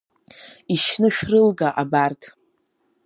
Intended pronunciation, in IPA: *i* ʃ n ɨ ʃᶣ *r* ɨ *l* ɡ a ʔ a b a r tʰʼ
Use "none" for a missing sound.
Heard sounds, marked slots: i, r, l

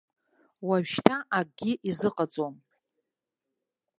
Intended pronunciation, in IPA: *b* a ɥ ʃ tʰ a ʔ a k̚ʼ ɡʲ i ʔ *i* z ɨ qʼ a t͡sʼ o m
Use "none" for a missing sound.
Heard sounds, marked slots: w, i

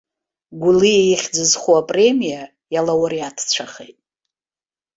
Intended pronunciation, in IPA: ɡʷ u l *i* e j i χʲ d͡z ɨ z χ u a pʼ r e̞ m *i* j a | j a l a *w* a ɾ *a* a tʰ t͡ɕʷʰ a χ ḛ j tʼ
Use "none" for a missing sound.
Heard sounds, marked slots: i, i, w, i

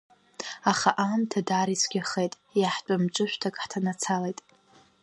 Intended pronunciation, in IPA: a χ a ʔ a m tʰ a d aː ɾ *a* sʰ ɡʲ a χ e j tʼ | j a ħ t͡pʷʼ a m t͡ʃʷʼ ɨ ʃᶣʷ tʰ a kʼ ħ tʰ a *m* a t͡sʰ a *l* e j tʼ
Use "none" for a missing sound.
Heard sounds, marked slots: i, n, l

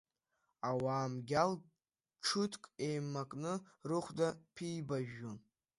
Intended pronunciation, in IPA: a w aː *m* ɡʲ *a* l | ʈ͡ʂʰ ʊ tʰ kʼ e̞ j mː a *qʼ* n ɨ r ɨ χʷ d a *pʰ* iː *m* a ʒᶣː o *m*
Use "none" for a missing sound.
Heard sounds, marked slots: m, a, kʼ, pʰ, b, n

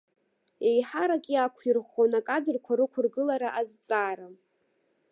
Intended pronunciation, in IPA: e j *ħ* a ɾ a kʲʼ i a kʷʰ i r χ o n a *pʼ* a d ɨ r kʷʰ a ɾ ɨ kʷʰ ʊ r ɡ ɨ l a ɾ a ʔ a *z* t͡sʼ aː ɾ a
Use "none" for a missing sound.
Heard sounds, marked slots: ħ, kʼ, z

